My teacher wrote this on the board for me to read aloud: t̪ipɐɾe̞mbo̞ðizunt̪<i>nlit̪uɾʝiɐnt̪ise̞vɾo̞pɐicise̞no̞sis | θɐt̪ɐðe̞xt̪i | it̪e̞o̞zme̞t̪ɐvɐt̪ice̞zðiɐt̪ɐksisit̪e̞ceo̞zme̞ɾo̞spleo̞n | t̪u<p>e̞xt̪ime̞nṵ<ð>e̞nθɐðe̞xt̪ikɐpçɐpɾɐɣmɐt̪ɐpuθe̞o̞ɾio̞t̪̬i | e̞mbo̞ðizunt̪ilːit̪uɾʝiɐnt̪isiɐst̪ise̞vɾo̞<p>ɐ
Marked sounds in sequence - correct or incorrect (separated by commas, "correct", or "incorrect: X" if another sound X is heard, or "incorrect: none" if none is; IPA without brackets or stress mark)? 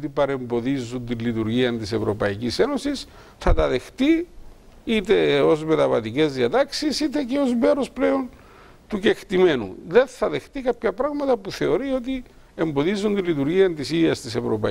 correct, incorrect: c, correct, correct